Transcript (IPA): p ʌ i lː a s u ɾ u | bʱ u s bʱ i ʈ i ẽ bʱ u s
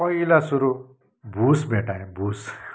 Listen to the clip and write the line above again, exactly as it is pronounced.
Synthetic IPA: p ʌ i l a s u ɾ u | bʱ u s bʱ e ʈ a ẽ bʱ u s